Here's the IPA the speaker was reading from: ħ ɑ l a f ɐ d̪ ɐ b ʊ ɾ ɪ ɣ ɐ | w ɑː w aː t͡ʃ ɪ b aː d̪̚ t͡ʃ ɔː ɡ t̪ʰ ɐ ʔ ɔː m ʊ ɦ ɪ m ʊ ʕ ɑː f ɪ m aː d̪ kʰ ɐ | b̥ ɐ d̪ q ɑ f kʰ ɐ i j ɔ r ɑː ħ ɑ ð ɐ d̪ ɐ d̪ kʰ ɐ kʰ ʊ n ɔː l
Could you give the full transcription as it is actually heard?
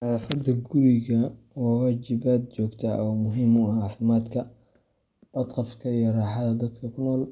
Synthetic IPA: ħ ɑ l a f ɐ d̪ ɐ ɡ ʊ ɾ ɪ ɣ ɐ | w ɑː w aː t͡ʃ ɪ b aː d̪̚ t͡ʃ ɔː ɡ t̪ʰ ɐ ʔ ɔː m ʊ ɦ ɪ m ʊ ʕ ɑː f ɪ m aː d̪ kʰ ɐ | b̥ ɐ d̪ q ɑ f kʰ ɐ i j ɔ r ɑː ħ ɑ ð ɐ d̪ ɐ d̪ kʰ ɐ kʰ ʊ n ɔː l

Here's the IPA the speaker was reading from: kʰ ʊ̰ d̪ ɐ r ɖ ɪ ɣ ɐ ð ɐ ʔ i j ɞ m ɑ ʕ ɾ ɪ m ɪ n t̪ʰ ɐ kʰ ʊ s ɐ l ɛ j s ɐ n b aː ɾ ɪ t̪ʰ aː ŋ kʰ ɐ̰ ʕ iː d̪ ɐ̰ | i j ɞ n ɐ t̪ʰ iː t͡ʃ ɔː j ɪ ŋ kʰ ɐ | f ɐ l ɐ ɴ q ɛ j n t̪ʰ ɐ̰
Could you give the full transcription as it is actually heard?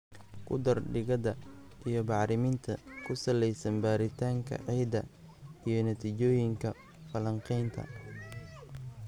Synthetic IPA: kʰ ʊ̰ d̪ ɐ r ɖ ɪ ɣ ɐ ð ɐ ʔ i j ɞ b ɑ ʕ ɾ ɪ m ɪ n t̪ʰ ɐ kʰ ʊ s ɐ l ɛ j s ɐ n b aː ɾ ɪ t̪ʰ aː ŋ kʰ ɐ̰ ʕ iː d̪ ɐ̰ | i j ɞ n ɐ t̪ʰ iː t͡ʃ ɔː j ɪ ŋ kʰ ɐ | f ɐ l ɐ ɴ q ɛ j n t̪ʰ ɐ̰

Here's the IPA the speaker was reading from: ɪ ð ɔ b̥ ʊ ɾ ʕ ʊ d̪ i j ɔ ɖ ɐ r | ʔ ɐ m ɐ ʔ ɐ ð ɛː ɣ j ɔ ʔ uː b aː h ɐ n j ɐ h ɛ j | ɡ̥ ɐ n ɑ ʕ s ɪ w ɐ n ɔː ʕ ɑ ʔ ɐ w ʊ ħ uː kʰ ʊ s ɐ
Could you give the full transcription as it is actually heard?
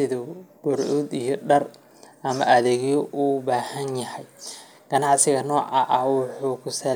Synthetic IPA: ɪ ð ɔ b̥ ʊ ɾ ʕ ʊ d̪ i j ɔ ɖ ɐ r | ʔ ɐ m ɐ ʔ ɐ ð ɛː ɣ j ɔ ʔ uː b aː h ɐ n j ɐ h ɛ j | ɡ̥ ɐ n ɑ ʕ s ɪ ɣ ɐ n ɔː ʕ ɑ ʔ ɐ w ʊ ħ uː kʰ ʊ s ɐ

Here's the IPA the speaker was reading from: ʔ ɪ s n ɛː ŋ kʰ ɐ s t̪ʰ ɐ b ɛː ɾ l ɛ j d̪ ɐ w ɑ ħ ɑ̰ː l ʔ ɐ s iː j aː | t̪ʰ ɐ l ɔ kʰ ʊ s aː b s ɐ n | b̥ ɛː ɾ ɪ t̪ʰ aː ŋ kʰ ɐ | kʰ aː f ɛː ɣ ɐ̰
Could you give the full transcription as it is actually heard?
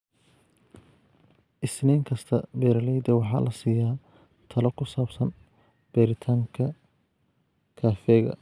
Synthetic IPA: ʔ ɪ s n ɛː ŋ kʰ ɐ s t̪ʰ ɐ b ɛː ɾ l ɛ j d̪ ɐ w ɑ ħ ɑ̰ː l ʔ ɐ s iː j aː | t̪ʰ ɐ l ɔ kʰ ʊ s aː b s ɐ n | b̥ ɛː ɾ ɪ t̪ʰ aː ŋ kʰ ɐ | kʰ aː f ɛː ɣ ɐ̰

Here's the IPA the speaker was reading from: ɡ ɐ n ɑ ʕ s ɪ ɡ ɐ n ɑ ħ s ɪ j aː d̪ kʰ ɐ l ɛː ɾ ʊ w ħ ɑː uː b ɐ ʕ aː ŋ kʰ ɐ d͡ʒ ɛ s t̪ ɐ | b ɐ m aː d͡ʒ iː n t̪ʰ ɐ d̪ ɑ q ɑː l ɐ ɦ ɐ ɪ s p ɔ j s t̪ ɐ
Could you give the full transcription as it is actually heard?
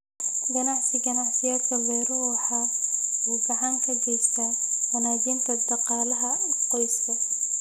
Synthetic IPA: ɡ ɐ n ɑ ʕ s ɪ ɡ ɐ n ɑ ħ s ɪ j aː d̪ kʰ ɐ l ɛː ɾ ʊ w ħ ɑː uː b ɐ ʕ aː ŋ kʰ ɐ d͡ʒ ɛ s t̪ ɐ | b ɐ n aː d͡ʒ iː n t̪ʰ ɐ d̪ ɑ q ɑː l ɐ ɦ ɐ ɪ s q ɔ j s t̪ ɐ

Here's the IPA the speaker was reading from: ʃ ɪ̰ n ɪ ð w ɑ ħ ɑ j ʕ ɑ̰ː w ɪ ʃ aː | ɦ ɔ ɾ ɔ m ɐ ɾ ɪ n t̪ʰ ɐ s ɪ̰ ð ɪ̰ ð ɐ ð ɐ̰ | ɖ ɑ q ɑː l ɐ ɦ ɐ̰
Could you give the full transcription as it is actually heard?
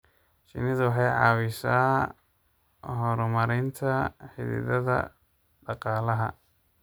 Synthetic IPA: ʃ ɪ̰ n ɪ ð w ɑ ħ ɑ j ʕ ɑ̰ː w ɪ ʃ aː | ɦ ɔ ɾ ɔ m ɐ ɾ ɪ n t̪ʰ ɐ ħ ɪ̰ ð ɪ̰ ð ɐ ð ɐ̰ | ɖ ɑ q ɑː l ɐ ɦ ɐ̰

